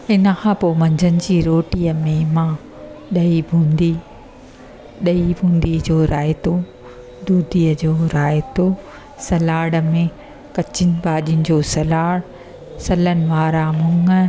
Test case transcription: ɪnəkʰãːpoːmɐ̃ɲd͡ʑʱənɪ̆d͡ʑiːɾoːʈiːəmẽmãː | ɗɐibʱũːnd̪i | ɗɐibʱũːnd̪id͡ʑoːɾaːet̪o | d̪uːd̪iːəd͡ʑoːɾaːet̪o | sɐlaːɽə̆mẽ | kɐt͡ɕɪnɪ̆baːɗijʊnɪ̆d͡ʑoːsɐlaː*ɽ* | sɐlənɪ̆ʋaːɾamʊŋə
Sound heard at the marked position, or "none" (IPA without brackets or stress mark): ɽ